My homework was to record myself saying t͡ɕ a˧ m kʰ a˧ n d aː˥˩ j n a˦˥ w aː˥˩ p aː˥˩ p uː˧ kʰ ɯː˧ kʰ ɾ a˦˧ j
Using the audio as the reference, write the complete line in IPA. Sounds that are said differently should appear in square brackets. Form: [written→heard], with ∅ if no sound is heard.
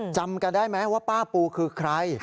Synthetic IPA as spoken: t͡ɕ a˧ m [kʰ→k] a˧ n d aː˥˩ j [n→m] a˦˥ w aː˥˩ p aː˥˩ p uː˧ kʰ ɯː˧ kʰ ɾ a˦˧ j